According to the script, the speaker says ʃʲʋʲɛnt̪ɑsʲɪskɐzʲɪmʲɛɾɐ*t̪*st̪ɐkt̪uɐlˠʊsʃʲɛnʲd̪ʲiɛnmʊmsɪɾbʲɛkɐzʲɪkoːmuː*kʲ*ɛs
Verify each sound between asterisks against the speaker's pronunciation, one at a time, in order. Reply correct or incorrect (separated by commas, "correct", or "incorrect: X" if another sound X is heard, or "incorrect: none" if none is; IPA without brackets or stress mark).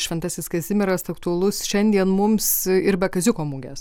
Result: incorrect: none, incorrect: ɡʲ